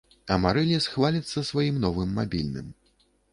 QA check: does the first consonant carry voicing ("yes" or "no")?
yes